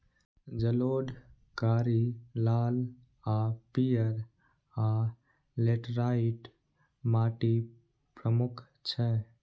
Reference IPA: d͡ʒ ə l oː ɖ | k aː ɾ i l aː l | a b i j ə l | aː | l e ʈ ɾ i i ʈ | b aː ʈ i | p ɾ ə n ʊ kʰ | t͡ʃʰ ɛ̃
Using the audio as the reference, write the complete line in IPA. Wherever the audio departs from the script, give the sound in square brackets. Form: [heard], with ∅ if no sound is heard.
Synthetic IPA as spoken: d͡ʒ ə l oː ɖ | k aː ɾ i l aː l | a [p] i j ə [ɾ] | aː | l e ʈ ɾ [a] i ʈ | [m] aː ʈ i | p ɾ ə [m] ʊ kʰ | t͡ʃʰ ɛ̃